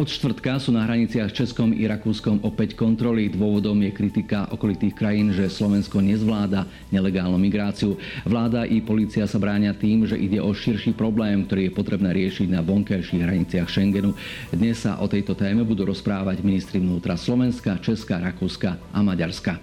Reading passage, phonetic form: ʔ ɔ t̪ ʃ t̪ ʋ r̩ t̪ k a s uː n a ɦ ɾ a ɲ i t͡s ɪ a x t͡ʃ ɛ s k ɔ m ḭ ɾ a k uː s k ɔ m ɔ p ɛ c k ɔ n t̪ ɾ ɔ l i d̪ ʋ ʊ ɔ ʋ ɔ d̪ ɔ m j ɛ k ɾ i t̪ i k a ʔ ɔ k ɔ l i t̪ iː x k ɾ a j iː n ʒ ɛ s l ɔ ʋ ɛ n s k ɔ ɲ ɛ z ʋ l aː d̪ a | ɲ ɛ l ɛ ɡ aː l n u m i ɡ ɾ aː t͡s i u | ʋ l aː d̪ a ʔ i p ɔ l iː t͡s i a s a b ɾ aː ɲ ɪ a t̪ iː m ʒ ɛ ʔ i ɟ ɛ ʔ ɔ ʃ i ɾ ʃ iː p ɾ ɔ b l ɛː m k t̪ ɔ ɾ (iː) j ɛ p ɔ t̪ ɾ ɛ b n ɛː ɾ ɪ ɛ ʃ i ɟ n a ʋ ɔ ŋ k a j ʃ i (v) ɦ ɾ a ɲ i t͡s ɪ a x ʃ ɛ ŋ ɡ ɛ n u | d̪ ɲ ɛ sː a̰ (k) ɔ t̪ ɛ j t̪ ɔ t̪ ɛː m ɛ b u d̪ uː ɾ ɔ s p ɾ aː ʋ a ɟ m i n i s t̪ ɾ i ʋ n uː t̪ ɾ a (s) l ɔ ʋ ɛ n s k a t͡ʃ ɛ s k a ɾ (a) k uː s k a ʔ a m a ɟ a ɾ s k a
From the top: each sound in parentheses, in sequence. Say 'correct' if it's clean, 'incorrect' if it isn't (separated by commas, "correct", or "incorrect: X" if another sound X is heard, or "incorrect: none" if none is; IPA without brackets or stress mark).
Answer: correct, incorrect: ɣ, incorrect: ʔ, correct, correct